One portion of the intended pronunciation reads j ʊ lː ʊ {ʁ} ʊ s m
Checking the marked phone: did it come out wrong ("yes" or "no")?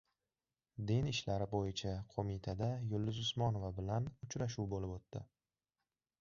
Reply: yes